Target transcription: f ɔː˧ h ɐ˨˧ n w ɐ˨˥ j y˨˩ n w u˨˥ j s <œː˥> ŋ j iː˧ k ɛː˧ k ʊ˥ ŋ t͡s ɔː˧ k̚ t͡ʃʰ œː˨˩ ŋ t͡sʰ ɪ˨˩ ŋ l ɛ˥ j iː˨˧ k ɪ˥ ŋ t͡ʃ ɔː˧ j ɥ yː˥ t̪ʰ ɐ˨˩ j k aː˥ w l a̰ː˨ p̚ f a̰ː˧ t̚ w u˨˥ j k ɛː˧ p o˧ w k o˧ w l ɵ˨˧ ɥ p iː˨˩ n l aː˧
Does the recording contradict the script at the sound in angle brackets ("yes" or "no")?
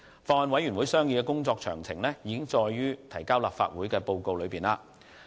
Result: no